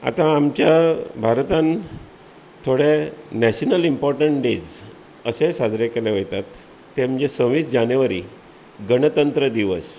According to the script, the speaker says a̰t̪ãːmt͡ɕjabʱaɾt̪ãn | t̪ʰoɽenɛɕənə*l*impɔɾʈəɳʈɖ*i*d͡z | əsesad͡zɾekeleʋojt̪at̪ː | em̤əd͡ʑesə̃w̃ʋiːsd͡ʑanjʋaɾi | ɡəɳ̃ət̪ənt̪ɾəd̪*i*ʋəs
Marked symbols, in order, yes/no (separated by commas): yes, no, yes